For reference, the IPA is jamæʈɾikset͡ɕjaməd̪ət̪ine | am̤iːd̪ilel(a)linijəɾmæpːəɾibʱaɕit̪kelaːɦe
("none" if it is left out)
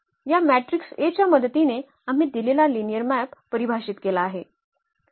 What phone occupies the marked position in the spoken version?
a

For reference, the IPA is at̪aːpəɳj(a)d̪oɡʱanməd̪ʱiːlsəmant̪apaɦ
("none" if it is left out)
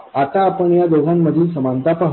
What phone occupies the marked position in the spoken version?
a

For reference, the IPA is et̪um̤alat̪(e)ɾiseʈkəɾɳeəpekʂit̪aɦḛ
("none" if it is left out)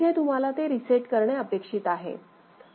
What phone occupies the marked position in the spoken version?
e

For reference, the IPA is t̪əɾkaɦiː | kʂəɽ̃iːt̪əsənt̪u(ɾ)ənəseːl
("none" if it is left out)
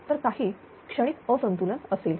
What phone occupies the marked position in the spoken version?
l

